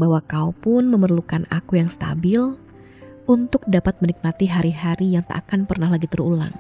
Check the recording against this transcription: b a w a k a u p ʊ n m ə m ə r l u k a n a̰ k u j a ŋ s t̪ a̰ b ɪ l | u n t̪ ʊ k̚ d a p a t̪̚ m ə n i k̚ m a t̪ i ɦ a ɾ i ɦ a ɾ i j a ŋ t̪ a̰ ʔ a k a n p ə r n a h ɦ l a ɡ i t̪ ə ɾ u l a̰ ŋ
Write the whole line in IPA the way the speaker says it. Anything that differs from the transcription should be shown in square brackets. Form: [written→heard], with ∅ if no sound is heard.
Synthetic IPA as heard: b a w a k a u p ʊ n m ə m ə r l u k a n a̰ k u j a ŋ s t̪ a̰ b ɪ l | u n t̪ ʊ k̚ d a p a t̪̚ m ə n i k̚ m a t̪ i ɦ a ɾ i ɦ a ɾ i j a ŋ t̪ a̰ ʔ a k a n p ə r n a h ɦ l a ɡ i t̪ ə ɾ u l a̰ ŋ